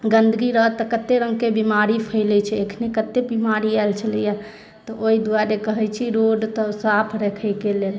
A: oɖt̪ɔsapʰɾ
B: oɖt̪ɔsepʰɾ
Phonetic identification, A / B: A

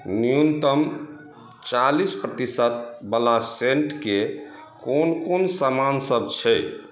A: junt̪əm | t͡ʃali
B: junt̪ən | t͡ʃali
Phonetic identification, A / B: A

